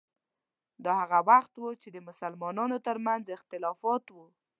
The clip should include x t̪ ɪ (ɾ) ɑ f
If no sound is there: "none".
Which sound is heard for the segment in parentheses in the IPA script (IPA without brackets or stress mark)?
l